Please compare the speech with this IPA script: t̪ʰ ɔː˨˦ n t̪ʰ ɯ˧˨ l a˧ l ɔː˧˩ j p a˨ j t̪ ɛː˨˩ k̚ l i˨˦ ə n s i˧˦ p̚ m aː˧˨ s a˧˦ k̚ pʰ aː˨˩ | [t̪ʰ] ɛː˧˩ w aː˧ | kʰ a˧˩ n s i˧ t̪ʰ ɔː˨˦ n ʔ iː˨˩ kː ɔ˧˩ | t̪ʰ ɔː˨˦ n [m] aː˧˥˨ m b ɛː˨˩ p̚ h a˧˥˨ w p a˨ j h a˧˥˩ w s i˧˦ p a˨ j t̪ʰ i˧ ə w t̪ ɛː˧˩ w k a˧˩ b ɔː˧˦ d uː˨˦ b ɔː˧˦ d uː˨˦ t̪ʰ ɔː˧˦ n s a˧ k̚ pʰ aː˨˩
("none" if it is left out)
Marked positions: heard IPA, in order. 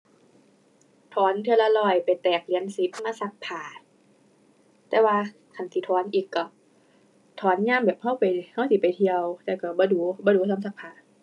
t̪, ɲ

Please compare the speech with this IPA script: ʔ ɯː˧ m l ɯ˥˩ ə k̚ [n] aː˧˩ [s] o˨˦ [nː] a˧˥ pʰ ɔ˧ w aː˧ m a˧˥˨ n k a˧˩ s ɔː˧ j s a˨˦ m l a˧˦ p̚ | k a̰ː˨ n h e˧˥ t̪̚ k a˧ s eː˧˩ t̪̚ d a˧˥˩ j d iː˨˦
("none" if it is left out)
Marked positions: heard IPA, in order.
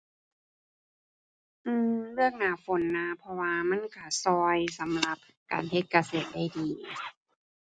n, f, nː

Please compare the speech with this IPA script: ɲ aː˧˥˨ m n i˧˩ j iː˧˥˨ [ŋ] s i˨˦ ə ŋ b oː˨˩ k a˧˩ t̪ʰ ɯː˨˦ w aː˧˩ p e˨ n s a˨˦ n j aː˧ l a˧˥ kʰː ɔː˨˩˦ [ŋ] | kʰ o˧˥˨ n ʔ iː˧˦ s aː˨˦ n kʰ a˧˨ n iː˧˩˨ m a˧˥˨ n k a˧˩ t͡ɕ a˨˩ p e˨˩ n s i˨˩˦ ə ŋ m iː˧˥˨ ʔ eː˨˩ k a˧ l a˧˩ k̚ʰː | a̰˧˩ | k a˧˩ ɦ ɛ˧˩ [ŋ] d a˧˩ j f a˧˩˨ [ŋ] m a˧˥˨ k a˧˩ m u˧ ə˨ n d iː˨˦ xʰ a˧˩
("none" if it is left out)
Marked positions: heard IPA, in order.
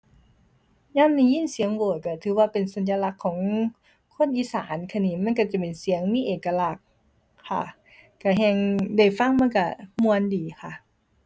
n, ŋ, ŋ, ŋ

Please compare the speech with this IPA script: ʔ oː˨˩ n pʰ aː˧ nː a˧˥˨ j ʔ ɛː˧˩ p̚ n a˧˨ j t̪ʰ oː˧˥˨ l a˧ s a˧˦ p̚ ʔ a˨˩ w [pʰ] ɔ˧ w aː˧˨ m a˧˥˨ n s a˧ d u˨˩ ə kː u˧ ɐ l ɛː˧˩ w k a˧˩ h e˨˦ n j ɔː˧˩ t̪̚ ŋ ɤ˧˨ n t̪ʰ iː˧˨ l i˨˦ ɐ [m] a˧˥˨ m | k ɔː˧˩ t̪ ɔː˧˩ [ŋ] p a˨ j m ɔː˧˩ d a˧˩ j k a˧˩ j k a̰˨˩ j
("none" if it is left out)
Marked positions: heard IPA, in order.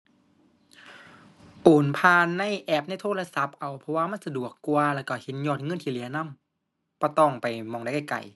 pʰ, n, ŋ

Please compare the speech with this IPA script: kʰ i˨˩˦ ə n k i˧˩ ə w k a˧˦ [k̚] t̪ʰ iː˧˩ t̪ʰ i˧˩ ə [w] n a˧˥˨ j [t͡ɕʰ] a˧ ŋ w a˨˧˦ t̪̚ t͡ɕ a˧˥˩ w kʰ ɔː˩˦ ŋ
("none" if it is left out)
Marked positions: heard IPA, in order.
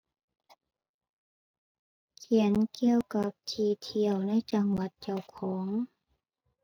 p̚, w, t͡ɕ

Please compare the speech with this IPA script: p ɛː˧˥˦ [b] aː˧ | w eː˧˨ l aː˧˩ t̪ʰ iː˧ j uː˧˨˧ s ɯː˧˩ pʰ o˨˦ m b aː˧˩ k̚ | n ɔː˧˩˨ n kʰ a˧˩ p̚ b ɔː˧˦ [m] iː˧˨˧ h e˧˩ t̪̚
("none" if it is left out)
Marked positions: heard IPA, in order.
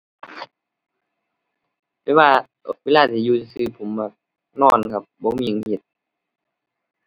w, m

